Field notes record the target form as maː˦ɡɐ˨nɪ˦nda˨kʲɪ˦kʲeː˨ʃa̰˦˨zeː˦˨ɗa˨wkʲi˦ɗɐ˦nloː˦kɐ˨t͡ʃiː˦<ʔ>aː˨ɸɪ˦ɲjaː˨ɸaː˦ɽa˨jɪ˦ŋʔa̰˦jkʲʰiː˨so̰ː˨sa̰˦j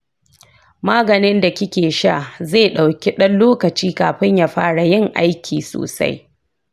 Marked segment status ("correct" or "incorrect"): incorrect